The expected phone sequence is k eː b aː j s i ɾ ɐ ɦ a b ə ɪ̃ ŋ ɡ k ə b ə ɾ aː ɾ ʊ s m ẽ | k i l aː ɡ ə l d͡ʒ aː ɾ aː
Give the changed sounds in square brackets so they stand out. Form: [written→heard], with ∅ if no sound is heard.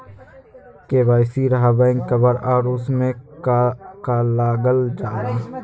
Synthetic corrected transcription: k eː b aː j s i ɾ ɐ ɦ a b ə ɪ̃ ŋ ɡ k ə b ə ɾ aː ɾ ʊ s m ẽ | k [i→a] l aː ɡ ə l d͡ʒ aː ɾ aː

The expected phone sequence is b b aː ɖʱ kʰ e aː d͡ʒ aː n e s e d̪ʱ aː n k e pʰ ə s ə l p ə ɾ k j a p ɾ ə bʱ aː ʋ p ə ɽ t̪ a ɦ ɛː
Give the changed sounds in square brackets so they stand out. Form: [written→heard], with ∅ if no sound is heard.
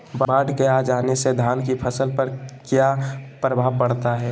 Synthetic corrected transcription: b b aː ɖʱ [kʰ→k] e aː d͡ʒ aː n e s e d̪ʱ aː n k [e→i] pʰ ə s ə l p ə ɾ k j a p ɾ ə bʱ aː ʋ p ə ɽ t̪ a ɦ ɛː

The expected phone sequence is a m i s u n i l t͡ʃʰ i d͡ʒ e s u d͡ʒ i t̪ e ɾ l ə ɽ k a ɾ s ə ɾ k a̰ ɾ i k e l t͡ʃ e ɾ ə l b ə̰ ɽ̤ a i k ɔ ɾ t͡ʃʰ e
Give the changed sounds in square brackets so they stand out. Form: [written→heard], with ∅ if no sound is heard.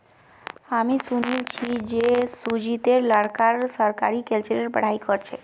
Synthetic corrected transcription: a m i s u n i l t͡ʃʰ i d͡ʒ e s u d͡ʒ i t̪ e ɾ l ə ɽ k a ɾ s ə ɾ k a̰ ɾ i k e l t͡ʃ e ɾ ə [l→ɾ] b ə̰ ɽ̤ a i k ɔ ɾ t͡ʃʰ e

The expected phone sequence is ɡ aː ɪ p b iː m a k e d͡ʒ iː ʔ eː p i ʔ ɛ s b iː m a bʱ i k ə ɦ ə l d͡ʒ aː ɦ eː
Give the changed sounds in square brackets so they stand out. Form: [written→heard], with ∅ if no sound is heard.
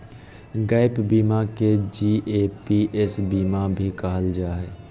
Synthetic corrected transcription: ɡ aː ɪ p b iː m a k e d͡ʒ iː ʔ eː p i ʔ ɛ s b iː m a bʱ i k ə ɦ ə l d͡ʒ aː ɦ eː

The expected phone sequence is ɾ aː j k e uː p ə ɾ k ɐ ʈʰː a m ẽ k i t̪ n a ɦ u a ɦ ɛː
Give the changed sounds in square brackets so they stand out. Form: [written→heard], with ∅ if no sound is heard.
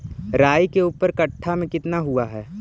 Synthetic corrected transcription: ɾ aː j k e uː p ə ɾ k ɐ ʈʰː a m ẽ k [i→ɪ] t̪ n a ɦ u a ɦ ɛː

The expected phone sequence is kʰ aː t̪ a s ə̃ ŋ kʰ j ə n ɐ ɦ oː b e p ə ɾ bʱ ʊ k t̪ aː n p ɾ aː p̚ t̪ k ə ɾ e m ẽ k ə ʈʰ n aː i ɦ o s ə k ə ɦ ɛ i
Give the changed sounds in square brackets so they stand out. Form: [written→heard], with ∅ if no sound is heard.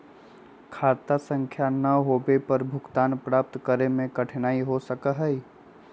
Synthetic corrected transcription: kʰ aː t̪ a s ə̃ ŋ kʰ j [ə→a] n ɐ ɦ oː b e p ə ɾ bʱ ʊ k t̪ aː n p ɾ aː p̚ t̪ k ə ɾ e m ẽ k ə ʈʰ n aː i ɦ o s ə k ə ɦ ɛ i

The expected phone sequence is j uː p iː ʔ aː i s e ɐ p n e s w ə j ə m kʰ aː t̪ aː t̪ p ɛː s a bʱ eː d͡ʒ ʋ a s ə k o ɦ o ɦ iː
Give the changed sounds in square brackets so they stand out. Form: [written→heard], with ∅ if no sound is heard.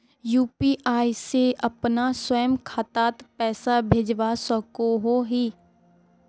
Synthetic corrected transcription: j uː p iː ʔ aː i s e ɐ p n [e→a] s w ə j ə m kʰ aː t̪ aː t̪ p ɛː s a bʱ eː d͡ʒ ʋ a s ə k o ɦ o ɦ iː

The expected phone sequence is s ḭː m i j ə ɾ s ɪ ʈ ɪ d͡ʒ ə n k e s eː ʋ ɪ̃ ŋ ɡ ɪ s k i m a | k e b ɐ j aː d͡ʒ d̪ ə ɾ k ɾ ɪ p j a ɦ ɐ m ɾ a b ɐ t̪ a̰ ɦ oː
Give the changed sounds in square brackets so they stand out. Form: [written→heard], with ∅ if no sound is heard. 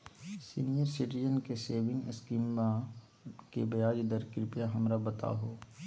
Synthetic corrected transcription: s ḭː [m→n] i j ə ɾ s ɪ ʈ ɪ d͡ʒ ə n k e s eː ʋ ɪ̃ ŋ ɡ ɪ s k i m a | k e b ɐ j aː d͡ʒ d̪ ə ɾ k ɾ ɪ p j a ɦ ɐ m ɾ a b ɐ t̪ a̰ ɦ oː

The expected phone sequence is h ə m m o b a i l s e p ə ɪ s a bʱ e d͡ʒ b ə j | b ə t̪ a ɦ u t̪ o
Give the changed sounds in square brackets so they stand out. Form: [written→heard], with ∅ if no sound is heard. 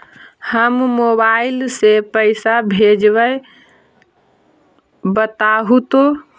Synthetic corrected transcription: h ə m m o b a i l s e p ə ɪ s a bʱ e d͡ʒ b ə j | b ə t̪ a ɦ u t̪ o

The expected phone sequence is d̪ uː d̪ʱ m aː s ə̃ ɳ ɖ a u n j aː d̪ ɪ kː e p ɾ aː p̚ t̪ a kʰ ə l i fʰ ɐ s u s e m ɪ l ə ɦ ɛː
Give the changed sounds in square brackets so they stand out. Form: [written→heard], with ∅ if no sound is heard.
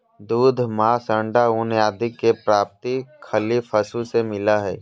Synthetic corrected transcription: d̪ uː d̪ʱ m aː s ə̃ ɳ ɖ a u n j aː d̪ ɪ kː e p ɾ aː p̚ t̪ [a→i] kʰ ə l i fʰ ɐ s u s e m ɪ l [ə→a] ɦ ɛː

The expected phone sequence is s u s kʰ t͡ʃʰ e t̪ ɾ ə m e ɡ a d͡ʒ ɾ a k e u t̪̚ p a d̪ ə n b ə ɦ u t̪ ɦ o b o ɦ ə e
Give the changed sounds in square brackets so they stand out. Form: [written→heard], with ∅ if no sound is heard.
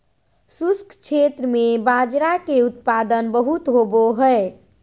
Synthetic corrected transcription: s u s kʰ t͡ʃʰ e t̪ ɾ ə m e [ɡ→b] a d͡ʒ ɾ a k e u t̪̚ p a d̪ ə n b ə ɦ u t̪ ɦ o b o ɦ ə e

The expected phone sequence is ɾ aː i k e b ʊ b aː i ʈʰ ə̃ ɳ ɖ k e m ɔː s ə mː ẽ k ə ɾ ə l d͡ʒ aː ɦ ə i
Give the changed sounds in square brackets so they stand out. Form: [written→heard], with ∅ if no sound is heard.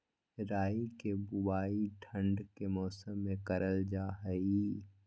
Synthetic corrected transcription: ɾ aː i k e b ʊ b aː i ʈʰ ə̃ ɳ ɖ k e m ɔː s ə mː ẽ k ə ɾ ə l d͡ʒ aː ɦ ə i

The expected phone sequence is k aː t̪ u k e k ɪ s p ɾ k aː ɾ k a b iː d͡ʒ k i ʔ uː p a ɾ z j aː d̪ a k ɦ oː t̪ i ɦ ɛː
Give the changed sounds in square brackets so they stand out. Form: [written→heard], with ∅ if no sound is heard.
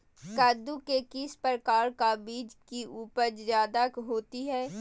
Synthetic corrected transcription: k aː [t̪→d̪] u k e k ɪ s p ɾ k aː ɾ k a b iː d͡ʒ k i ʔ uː p [a→ə] ɾ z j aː d̪ a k ɦ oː t̪ i ɦ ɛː

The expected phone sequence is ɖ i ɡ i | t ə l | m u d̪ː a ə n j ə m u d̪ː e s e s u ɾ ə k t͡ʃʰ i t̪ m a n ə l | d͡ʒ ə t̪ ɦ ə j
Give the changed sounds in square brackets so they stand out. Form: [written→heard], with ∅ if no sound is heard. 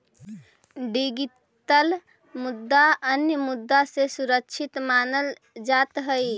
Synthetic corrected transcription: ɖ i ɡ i | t ə l | m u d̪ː a ə n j ə m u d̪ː [e→a] s e s u ɾ ə k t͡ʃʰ i t̪ m a n ə l | d͡ʒ [ə→a] t̪ ɦ ə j

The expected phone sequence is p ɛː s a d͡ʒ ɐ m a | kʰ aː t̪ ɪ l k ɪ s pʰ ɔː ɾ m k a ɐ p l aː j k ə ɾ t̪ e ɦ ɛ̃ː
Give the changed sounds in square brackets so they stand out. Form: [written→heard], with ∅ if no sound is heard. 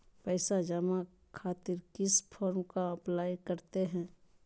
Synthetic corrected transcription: p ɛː s a d͡ʒ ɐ m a | kʰ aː t̪ ɪ [l→ɾ] k ɪ s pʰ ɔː ɾ m k a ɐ p l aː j k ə ɾ t̪ e ɦ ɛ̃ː

